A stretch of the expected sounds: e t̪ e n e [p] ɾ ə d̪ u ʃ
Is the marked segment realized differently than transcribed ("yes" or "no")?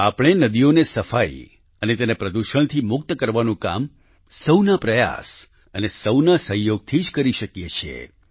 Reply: no